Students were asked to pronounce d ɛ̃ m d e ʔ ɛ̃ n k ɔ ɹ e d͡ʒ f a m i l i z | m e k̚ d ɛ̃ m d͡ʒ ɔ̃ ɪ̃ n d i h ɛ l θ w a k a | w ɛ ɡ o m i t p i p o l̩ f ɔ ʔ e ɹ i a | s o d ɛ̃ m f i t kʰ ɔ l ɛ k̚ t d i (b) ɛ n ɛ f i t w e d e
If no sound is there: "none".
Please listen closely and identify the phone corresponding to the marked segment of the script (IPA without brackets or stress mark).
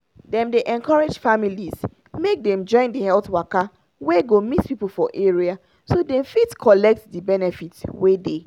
b